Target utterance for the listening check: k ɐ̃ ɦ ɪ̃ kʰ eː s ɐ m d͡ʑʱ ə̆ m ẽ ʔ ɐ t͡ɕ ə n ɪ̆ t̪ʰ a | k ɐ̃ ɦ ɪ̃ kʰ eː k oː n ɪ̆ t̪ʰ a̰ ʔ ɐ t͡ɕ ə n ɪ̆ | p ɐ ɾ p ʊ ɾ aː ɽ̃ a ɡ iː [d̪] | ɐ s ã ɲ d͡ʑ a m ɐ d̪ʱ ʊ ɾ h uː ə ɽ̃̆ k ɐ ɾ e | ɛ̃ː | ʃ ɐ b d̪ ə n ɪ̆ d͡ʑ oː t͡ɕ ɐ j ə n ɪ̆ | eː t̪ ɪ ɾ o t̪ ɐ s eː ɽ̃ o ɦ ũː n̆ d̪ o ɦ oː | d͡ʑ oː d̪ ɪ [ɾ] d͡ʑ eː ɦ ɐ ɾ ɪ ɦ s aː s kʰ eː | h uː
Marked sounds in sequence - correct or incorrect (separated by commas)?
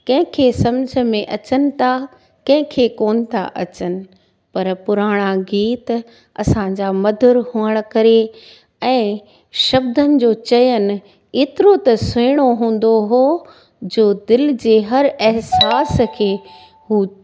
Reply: incorrect, incorrect